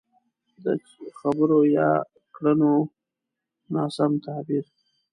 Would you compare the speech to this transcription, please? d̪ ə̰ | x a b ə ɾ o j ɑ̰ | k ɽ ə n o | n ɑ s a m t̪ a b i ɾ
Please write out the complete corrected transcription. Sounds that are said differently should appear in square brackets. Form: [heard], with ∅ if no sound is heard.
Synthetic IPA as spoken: d̪ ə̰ | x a b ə ɾ o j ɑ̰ | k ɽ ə n o | n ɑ s a m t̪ a b i ɾ